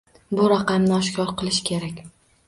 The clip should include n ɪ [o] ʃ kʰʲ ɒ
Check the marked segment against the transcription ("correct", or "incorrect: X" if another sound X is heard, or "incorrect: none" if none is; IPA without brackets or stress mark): incorrect: ɒ